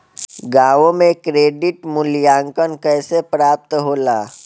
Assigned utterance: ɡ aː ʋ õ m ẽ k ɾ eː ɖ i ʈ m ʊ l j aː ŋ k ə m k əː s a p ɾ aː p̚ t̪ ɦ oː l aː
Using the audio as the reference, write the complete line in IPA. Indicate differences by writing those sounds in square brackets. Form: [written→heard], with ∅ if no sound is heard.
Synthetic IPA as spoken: ɡ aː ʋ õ m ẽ k ɾ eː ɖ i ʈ m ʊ l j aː ŋ k ə [m→n] k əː s [a→e] p ɾ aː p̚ t̪ ɦ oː l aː